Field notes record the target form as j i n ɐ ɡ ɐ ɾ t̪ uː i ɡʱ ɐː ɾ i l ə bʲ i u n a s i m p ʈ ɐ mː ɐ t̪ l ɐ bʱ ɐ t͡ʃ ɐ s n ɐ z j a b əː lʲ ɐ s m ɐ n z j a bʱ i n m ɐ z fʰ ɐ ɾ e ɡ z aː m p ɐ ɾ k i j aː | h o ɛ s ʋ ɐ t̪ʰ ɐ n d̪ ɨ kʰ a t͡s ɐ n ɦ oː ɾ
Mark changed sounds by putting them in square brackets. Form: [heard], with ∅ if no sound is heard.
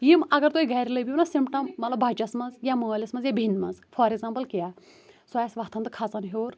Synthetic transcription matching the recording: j i [m] ɐ ɡ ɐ ɾ t̪ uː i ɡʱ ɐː ɾ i l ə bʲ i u n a s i m p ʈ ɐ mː ɐ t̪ l ɐ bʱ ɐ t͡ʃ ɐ s [m] ɐ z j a [m] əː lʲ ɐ s m ɐ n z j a bʱ i n m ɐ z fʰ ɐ ɾ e ɡ z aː m p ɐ [l] k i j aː | [s] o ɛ s ʋ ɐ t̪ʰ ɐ n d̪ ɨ kʰ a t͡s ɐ n ɦ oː ɾ